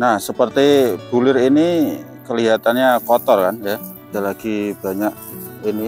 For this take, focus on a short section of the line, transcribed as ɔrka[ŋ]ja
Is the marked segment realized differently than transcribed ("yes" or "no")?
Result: yes